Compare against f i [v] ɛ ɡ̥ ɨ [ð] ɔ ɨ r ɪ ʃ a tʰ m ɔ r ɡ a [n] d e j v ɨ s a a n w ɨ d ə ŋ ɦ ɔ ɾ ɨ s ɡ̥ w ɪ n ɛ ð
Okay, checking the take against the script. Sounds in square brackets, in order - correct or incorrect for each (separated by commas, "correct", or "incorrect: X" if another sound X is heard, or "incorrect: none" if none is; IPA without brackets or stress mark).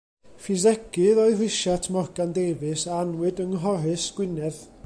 incorrect: z, correct, correct